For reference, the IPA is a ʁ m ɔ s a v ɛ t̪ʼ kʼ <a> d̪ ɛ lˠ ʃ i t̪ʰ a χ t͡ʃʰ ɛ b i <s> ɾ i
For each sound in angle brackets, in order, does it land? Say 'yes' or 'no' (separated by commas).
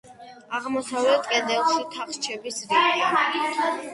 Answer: no, yes